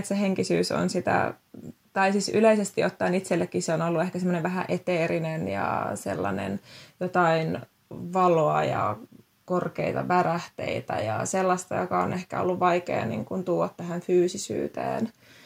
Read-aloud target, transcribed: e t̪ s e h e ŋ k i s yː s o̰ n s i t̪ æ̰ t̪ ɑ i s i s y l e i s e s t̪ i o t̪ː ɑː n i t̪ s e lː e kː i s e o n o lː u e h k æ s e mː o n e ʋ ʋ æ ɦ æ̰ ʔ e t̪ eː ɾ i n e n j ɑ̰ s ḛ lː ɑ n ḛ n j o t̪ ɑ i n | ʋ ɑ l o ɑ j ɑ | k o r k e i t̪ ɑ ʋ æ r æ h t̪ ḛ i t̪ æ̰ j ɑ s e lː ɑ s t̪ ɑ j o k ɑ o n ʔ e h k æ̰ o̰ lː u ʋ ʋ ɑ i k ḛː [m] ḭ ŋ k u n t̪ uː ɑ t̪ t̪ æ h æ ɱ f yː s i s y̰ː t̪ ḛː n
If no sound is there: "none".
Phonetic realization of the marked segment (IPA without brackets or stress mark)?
n